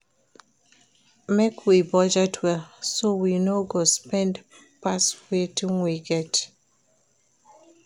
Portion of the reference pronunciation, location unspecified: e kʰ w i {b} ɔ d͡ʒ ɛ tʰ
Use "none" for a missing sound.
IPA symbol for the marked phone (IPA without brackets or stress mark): b